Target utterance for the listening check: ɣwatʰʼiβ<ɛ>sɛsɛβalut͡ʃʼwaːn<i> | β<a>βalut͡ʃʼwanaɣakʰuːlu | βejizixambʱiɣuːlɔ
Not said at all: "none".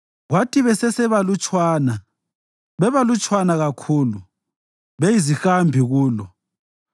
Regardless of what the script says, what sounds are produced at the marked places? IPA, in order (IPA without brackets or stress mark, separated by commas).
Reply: ɛ, a, ɛ